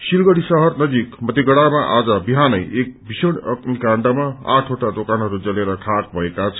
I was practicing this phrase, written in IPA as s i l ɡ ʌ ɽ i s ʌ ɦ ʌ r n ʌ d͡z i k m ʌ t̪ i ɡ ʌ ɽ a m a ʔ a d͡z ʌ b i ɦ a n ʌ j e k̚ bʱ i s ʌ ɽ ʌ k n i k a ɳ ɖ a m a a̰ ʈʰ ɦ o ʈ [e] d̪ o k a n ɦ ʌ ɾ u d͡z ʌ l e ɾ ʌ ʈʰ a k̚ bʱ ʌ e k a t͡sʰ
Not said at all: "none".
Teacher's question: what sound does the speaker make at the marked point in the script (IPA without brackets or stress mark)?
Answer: a